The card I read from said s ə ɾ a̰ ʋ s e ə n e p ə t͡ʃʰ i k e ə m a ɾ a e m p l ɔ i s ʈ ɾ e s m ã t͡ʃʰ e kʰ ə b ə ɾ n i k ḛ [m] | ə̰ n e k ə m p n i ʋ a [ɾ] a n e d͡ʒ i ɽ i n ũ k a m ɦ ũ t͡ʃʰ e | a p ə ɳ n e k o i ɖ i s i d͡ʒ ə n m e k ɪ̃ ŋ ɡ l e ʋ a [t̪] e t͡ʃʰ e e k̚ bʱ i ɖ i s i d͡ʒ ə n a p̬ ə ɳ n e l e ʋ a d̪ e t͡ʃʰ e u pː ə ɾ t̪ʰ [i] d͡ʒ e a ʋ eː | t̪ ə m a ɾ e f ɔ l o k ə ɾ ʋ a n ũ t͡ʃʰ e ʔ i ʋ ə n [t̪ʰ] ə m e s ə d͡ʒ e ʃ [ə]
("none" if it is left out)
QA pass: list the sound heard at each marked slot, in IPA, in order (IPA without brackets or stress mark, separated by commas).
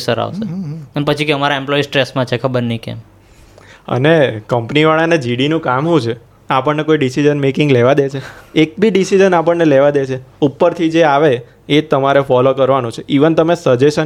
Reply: m, ɭ, d̪, i, t̪, ə